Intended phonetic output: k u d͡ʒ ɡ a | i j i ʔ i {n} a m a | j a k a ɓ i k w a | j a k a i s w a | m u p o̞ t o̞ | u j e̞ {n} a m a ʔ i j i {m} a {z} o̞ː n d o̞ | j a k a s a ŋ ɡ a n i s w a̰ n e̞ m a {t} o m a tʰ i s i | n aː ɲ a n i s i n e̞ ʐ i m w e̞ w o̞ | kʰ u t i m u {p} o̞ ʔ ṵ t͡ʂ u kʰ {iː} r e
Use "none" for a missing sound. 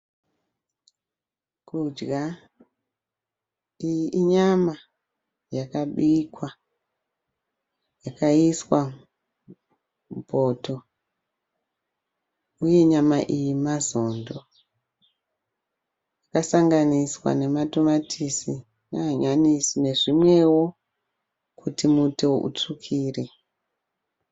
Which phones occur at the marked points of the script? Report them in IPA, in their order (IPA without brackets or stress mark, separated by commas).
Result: ɲ, ɲ, m, z, t, t, iː